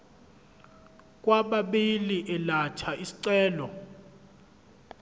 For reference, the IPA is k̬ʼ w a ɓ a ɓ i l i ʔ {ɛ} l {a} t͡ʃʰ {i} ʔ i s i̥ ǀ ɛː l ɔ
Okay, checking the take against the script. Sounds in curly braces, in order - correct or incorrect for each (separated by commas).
correct, correct, incorrect